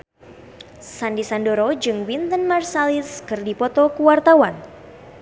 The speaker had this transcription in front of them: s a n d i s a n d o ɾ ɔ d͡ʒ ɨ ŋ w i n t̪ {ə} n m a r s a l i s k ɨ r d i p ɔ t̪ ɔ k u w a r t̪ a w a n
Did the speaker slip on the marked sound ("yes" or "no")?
no